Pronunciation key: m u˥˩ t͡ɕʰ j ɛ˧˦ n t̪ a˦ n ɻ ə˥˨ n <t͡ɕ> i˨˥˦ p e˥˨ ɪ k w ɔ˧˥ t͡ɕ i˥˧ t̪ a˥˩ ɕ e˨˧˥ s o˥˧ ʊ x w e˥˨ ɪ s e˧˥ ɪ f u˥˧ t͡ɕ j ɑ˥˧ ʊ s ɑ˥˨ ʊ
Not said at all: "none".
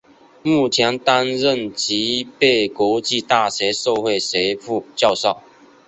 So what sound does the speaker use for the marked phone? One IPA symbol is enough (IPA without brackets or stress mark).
t͡ɕ